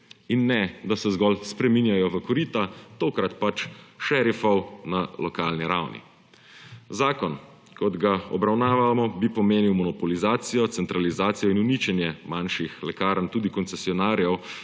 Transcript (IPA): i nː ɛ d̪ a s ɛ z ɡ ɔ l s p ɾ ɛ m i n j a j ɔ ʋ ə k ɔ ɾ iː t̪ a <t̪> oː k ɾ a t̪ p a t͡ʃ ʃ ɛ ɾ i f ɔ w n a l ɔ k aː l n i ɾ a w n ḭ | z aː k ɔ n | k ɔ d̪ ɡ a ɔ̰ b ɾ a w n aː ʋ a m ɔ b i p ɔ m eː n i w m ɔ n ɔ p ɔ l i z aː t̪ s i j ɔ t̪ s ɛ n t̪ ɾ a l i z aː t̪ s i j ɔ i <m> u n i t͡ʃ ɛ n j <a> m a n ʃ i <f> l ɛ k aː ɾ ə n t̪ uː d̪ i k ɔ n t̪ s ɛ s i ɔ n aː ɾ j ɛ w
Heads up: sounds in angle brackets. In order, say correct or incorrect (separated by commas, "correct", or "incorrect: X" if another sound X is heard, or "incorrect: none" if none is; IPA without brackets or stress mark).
correct, incorrect: n, incorrect: ɛ, incorrect: x